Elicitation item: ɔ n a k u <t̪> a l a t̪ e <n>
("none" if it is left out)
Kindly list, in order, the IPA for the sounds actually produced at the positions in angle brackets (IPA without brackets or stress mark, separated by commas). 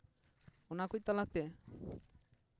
t̪, none